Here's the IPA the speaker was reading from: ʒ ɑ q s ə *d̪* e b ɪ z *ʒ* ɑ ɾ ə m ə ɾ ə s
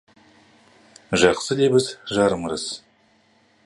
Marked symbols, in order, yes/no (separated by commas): yes, yes